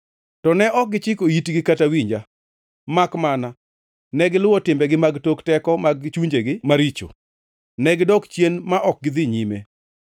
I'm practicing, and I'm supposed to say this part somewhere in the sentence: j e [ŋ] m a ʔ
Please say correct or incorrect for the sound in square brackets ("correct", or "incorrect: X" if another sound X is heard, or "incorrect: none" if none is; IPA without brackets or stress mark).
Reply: incorrect: n